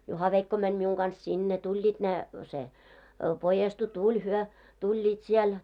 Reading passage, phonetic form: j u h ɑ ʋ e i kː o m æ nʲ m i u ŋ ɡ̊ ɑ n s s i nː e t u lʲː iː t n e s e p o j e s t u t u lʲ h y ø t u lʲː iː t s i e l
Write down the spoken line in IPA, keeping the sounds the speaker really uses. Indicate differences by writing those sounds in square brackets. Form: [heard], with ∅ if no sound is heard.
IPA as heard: j u h ɑ ʋ e i kː o m æ nʲ m i u ŋ ɡ̊ ɑ n s s i nː e t u lʲː iː t n e s e p o j e s t u t u lʲ h y ø t u lʲː iː t s i e l